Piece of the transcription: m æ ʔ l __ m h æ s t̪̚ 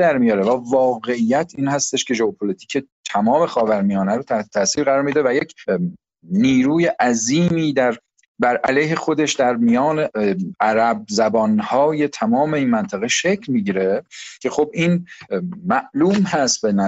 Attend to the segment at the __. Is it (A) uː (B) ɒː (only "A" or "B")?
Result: A